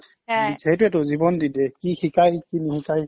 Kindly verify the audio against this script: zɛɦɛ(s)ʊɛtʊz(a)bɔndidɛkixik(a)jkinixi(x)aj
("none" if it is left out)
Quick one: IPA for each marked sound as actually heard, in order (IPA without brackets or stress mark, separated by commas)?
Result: t, i, a, k